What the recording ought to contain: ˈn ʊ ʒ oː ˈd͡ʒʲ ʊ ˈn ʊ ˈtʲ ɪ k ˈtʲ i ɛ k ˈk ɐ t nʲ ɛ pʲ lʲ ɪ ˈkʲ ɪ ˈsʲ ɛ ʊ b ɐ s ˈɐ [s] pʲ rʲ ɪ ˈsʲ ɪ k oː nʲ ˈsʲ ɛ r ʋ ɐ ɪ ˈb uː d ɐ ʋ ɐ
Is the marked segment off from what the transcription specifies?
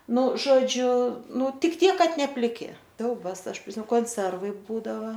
yes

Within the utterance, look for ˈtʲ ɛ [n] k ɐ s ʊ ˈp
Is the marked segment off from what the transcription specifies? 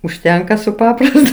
yes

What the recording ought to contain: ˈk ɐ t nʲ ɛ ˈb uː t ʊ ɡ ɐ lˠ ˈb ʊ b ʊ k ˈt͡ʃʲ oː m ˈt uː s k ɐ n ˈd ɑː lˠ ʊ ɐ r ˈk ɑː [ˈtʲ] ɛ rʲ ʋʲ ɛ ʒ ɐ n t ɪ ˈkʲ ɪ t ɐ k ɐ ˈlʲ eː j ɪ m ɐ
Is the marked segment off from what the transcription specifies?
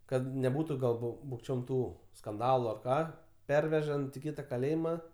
yes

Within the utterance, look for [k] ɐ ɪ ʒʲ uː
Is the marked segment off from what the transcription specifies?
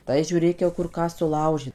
yes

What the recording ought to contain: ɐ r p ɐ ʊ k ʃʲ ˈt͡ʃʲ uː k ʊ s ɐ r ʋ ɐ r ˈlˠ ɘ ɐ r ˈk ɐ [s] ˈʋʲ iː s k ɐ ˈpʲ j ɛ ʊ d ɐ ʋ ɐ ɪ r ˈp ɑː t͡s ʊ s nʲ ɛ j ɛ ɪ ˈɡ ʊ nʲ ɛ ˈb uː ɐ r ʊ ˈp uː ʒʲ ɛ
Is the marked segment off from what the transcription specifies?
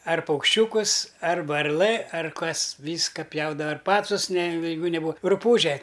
no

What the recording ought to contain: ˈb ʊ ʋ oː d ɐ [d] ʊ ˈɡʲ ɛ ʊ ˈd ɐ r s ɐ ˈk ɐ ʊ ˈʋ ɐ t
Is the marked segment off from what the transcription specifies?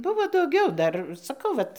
yes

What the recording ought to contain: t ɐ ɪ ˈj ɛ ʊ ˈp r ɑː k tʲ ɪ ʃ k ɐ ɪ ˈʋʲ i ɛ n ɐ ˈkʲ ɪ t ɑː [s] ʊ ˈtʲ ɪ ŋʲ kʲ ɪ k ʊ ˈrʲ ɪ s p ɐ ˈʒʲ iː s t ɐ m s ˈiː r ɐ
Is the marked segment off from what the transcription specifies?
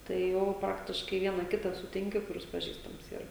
no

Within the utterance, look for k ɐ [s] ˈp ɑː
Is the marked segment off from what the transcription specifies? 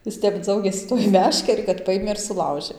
yes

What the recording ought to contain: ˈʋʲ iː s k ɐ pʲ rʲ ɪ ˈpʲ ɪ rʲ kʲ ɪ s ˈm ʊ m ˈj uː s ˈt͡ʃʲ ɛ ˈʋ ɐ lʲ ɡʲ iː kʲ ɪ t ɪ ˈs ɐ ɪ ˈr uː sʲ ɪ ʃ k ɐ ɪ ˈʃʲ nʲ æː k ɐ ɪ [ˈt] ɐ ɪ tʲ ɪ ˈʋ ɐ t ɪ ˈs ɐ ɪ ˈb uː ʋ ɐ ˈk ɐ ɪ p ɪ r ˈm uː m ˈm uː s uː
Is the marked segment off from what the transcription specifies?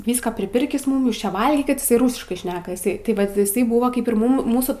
yes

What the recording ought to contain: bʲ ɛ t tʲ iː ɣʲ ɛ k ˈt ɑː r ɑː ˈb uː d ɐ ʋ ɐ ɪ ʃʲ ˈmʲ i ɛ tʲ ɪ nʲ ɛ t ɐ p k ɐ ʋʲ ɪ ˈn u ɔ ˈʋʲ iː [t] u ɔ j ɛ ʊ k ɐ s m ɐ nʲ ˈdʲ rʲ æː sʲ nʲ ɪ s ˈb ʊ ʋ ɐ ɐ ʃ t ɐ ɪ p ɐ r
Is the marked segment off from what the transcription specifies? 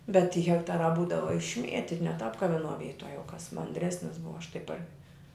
no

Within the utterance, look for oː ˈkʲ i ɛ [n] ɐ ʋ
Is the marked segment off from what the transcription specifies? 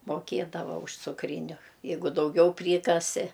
yes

